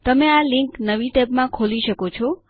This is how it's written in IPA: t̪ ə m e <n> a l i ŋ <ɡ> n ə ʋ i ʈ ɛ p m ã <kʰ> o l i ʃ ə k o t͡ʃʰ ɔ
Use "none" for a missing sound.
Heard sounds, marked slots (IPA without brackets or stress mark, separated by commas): none, k, kʰ